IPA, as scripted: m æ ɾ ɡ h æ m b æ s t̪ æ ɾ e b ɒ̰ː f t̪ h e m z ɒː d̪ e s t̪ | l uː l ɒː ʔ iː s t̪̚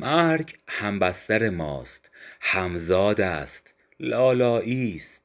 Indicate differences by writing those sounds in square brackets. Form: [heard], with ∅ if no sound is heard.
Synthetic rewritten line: m æ ɾ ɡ h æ m b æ s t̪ æ ɾ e [m] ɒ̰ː [s] t̪ h [æ] m z ɒː d̪ [æ] s t̪ | l [ɒː] l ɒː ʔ iː s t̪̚